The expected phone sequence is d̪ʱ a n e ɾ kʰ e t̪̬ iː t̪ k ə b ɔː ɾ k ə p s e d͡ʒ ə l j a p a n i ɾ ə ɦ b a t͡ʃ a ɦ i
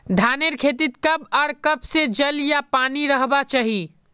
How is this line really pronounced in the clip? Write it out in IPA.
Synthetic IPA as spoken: d̪ʱ a n e ɾ kʰ e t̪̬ i t̪ k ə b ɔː ɾ k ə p s e d͡ʒ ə l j a p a n i ɾ ə ɦ b a t͡ʃ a ɦ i